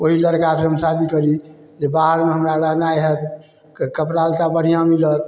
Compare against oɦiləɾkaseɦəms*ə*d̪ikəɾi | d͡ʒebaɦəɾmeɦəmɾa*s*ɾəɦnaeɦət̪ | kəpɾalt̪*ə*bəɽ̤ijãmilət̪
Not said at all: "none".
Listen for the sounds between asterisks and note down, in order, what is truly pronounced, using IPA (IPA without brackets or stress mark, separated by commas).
a, none, a